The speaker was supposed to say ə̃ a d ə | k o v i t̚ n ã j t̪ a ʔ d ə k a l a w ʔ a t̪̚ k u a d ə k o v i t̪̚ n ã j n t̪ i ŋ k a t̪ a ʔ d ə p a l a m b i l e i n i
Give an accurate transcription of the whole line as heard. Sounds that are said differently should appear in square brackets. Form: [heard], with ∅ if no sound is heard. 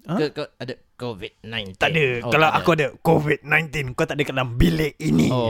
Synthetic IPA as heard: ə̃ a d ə | k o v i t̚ n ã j t̪ a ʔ d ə k a l a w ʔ a [∅] k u a d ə k o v i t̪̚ n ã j n t̪ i [n] k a t̪ a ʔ d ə [k] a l a m b i l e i n i